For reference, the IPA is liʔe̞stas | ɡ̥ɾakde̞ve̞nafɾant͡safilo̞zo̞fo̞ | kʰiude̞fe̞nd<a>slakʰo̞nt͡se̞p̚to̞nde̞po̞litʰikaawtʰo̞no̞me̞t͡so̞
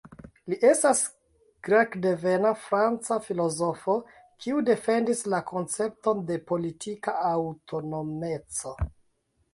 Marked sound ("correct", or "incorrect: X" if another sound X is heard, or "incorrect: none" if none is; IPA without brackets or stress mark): incorrect: i